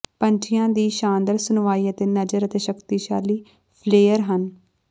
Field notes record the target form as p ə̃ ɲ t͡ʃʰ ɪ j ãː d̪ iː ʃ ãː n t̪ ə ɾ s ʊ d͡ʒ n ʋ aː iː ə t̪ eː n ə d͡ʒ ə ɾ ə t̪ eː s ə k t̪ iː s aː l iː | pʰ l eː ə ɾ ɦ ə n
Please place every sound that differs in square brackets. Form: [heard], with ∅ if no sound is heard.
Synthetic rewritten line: p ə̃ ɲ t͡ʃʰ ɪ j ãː d̪ iː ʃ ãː n [d̪] ə ɾ s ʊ [∅] n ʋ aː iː ə t̪ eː n ə d͡ʒ ə ɾ ə t̪ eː [ʃ] ə k t̪ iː [ʃ] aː l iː | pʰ l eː ə ɾ ɦ ə n